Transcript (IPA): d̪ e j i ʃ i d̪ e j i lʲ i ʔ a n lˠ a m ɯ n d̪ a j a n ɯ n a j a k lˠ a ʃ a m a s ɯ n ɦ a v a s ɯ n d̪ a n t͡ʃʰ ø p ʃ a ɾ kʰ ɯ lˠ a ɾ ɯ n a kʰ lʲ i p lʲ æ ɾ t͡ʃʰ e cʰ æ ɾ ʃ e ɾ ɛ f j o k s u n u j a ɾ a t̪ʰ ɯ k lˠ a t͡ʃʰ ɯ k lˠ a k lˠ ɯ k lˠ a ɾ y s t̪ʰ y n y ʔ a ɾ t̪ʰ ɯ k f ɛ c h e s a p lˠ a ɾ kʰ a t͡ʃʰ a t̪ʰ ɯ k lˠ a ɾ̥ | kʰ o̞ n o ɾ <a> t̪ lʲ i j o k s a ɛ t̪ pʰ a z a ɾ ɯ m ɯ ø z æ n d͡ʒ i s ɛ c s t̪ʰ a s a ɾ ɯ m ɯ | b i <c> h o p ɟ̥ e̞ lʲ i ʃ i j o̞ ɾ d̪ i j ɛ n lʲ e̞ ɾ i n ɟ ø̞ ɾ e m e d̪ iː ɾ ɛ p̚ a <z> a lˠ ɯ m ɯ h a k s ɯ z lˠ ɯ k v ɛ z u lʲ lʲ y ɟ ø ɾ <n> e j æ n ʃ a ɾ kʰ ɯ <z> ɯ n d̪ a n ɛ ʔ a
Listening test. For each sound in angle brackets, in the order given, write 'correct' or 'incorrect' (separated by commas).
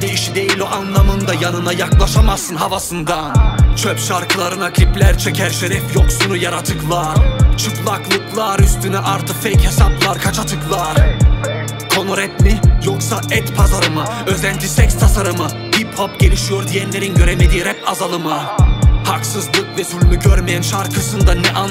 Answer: incorrect, incorrect, correct, incorrect, incorrect